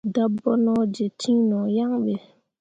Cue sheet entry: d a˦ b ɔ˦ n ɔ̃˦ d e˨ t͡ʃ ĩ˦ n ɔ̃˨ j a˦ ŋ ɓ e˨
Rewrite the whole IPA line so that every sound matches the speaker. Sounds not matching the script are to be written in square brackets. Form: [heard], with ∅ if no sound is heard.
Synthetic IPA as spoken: d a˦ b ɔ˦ n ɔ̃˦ [d͡ʒ] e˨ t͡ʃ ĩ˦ n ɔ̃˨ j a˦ ŋ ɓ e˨